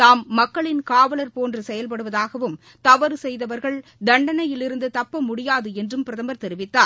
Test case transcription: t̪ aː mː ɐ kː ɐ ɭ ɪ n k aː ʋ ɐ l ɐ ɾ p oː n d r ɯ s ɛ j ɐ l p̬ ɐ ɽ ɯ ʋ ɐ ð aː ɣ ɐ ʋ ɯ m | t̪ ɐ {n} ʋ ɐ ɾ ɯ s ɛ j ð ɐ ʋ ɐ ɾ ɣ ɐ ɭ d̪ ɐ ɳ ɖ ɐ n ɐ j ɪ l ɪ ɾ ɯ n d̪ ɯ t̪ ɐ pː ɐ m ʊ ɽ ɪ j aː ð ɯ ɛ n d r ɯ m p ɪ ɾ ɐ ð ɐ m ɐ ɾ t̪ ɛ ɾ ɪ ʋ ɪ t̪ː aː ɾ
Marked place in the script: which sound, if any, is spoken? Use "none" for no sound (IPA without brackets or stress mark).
none